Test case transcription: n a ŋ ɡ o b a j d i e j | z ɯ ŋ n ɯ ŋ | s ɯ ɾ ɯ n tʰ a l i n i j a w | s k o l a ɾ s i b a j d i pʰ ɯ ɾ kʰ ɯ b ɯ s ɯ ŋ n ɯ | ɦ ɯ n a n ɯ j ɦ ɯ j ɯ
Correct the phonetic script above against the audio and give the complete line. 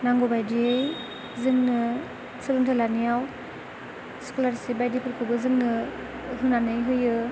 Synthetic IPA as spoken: n a ŋ ɡ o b a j d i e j | z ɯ ŋ n ɯ | s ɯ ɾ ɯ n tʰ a l a n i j a w | s k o l a ɾ s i b a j d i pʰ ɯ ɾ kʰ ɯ b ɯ z ɯ ŋ n ɯ | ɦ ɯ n a n ɯ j ɦ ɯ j ɯ

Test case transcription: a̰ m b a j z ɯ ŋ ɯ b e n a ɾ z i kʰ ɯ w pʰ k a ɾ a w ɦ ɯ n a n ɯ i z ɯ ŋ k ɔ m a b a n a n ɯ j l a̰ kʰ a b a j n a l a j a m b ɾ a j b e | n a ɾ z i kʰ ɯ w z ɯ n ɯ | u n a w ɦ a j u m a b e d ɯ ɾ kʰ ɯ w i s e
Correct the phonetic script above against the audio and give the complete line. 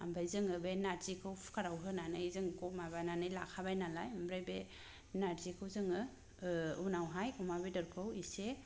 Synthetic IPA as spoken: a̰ m b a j z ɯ ŋ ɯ b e n a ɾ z i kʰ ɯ w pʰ k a ɾ a w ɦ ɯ n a n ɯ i z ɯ ŋ k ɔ m a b a n a n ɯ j l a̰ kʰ a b a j n a l a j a m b ɾ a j b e | n a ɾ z i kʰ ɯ w z ɯ ŋ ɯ | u n a w ɦ a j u m a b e d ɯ ɾ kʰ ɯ w i s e

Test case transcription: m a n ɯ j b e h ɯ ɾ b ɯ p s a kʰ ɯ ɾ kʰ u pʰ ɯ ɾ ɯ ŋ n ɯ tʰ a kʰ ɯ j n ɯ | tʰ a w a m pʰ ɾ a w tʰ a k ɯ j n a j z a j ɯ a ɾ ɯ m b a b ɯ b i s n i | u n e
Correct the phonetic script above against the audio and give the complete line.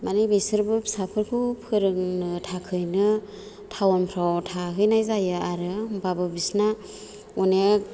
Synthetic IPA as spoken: m a n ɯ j b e s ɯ ɾ b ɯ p s a pʰ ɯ ɾ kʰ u pʰ ɯ ɾ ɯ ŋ n ɯ tʰ a kʰ ɯ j n ɯ | tʰ a w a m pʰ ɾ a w tʰ a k ɯ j n a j z a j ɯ a ɾ ɯ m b a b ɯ b i s n a | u n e

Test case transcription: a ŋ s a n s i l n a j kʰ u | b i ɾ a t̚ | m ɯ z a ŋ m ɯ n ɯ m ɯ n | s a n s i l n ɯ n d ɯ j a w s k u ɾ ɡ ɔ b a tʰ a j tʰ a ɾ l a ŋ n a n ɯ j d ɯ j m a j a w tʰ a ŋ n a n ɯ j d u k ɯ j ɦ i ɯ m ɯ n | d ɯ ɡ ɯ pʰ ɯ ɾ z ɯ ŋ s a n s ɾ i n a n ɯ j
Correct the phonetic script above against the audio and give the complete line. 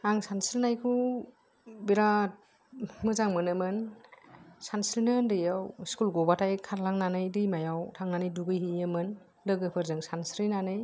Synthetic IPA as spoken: a ŋ s a n s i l n a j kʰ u | b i ɾ a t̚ | m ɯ z a ŋ m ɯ n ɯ m ɯ n | s a n s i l n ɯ n d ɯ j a w s k u l ɡ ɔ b a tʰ a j kʰ a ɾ l a ŋ n a n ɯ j d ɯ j m a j a w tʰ a ŋ n a n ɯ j d u ɡ ɯ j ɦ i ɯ m ɯ n | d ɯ ɡ ɯ pʰ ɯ ɾ z ɯ ŋ s a n s ɾ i n a n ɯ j

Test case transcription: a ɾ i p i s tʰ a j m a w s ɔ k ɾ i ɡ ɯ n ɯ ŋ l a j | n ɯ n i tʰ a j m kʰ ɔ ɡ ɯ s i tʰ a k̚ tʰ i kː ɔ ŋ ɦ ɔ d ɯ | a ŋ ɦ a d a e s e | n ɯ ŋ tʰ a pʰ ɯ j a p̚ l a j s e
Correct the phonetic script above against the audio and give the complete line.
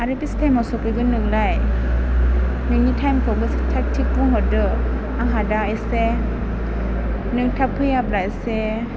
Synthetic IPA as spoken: a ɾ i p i s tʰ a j m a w s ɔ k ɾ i ɡ ɯ n ɯ ŋ l a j | n ɯ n i tʰ a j m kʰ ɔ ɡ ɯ s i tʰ a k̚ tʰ i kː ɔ ŋ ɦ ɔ d ɯ | a ŋ ɦ a d a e s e | n ɯ ŋ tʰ a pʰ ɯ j a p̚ l a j s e

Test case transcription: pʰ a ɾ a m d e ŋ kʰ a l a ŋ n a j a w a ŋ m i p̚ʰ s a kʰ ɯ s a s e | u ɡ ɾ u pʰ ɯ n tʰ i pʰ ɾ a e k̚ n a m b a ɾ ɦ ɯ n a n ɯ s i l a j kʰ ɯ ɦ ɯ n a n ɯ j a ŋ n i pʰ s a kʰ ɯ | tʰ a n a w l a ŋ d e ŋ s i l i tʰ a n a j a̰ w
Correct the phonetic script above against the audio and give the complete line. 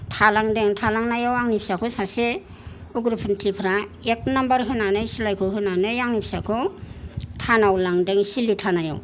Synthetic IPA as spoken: tʰ a l a ŋ d e ŋ tʰ a l a ŋ n a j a w a ŋ n i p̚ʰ s a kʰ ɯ s a s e | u ɡ ɾ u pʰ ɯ n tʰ i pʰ ɾ a e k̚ n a m b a ɾ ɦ ɯ n a n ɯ s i l a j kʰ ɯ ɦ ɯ n a n ɯ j a ŋ n i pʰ s a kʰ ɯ | tʰ a n a w l a ŋ d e ŋ s i l i tʰ a n a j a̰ w

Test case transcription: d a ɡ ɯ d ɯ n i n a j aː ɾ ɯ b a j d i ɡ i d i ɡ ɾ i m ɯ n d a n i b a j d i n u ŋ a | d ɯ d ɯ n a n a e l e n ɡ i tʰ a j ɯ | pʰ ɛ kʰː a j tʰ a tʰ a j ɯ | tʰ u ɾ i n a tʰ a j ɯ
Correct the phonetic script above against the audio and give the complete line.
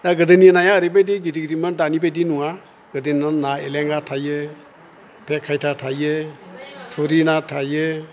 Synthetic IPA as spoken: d a ɡ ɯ d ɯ n i n a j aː ɾ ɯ b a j d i ɡ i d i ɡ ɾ i m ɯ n d a n i b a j d i n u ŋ a | ɡ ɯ d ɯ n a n a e l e ŋ ɡ a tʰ a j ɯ | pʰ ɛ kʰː a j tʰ a tʰ a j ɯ | tʰ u ɾ i n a tʰ a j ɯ

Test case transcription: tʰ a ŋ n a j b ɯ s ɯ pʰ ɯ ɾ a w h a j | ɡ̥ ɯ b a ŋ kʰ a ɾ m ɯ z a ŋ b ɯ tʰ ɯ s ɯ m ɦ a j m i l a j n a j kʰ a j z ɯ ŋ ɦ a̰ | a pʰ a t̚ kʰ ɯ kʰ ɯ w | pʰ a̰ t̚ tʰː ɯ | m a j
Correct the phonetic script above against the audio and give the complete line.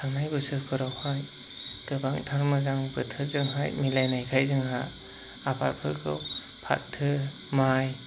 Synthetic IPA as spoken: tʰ a ŋ n a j b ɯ s ɯ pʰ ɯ ɾ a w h a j | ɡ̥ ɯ b a ŋ tʰ a ɾ m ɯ z a ŋ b ɯ tʰ ɯ z ɯ ŋ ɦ a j m i l a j n a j kʰ a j z ɯ ŋ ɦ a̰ | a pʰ a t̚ pʰ ɯ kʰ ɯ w | pʰ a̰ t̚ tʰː ɯ | m a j

